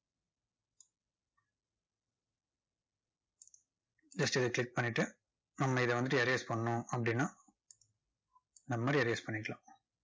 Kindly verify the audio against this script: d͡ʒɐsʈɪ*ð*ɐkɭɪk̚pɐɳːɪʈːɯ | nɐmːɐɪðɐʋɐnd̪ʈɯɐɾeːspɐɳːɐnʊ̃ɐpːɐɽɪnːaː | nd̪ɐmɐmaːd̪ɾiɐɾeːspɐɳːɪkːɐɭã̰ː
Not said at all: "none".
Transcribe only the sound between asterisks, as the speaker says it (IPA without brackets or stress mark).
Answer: ð